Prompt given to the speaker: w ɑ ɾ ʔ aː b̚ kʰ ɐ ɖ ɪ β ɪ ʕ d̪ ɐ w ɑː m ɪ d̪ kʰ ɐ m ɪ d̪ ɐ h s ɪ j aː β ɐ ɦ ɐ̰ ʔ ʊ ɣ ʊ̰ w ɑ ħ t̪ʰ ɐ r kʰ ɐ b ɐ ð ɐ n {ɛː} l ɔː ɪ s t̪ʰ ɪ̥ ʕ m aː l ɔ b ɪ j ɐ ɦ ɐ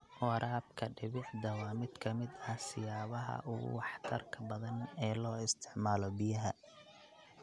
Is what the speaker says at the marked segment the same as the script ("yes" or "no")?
yes